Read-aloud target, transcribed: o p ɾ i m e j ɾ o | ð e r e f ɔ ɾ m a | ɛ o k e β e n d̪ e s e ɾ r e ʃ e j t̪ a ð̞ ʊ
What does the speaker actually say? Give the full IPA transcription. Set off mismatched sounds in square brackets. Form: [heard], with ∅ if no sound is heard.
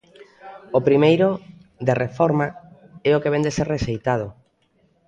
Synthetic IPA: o p ɾ i m e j ɾ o | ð e r e f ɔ ɾ m a | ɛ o k e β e n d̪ e s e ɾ r e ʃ e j t̪ a ð̞ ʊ